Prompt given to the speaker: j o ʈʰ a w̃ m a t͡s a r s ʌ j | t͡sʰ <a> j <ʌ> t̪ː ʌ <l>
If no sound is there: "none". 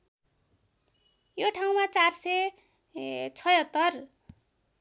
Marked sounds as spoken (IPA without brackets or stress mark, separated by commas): ʌ, ʌ, r